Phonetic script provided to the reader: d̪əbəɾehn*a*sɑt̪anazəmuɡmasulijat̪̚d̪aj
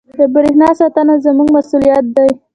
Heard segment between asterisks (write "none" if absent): ɑ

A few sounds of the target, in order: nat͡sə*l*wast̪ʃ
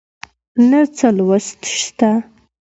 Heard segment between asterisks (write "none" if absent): l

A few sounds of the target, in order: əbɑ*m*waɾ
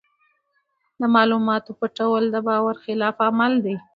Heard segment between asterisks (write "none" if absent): none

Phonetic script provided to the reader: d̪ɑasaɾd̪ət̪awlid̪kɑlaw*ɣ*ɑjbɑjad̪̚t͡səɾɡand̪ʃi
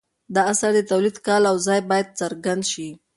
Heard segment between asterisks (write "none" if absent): z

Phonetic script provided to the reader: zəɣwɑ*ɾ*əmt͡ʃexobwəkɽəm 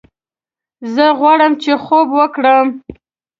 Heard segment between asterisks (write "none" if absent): ɽ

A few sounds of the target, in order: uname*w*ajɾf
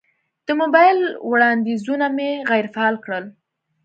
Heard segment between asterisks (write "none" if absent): ɣ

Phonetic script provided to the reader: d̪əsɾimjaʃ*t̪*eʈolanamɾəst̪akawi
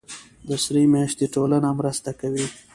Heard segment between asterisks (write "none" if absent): t̪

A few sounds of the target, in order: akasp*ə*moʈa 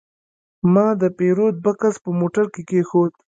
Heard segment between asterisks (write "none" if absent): ə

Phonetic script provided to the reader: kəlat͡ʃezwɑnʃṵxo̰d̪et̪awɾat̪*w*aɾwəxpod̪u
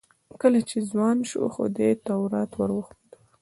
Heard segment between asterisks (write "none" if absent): w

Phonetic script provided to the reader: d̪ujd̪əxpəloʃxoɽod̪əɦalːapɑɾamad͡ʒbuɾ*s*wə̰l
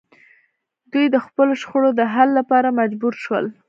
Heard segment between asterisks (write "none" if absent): ʃ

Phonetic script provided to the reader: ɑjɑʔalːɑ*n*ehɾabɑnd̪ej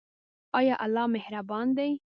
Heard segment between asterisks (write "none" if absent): m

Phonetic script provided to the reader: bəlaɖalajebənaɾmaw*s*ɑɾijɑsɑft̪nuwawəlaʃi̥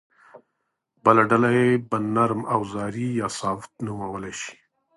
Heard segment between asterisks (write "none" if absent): z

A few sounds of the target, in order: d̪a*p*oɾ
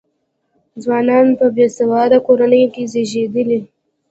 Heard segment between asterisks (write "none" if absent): k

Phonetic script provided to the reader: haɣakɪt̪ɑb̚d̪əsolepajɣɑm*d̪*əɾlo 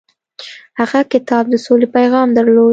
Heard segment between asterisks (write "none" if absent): d̪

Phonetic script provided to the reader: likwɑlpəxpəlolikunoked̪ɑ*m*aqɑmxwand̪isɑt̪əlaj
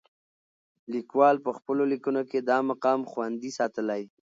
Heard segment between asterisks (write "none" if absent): m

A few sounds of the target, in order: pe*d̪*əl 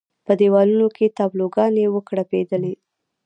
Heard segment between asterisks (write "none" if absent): d̪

